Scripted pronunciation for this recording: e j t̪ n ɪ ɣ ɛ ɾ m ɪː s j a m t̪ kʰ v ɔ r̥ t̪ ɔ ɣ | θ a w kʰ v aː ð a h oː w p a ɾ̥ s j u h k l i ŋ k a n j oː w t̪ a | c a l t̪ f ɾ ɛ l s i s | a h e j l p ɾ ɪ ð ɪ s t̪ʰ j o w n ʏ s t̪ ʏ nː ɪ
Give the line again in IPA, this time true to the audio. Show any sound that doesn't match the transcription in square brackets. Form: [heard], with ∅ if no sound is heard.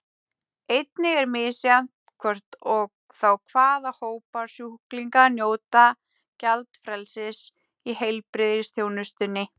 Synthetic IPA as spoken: e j t̪ n ɪ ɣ ɛ ɾ m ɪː s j a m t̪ kʰ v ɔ r̥ t̪ ɔ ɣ | θ a w kʰ v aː ð a h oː w p a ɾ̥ s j u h k l i ŋ k a n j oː w t̪ a | c a l t̪ f ɾ ɛ l s [ɪ] s | [i] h e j l p ɾ ɪ ð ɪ s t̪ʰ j o w n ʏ s t̪ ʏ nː ɪ